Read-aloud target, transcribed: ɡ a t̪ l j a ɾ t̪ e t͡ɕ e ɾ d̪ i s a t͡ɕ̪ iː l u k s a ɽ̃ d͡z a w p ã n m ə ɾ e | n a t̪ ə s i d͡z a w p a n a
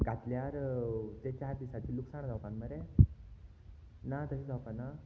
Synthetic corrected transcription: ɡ a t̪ l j a ɾ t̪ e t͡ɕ a ɾ d̪ i s a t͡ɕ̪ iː l u k s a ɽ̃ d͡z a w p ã n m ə ɾ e | n a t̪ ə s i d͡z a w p a n a